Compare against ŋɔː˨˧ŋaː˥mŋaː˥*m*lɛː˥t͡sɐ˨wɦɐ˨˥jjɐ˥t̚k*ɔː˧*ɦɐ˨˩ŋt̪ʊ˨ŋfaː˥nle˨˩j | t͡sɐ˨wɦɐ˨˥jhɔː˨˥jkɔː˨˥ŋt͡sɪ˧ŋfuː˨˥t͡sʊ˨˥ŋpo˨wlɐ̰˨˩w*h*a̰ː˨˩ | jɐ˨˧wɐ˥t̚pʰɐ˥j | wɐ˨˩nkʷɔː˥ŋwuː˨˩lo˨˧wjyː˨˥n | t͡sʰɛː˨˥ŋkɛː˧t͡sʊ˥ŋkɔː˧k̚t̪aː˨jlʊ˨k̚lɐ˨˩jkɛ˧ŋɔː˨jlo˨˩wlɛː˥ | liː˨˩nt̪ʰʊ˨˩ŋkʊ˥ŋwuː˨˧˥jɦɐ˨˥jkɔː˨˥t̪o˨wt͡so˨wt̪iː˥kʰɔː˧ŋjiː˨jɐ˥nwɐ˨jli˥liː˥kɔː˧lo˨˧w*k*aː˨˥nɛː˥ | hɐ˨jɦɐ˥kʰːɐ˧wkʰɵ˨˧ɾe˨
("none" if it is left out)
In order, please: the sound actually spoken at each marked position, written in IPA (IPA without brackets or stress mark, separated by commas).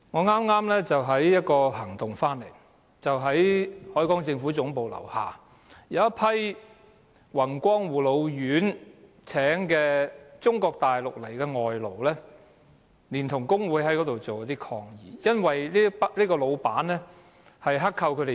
m, ɔː˧, h, p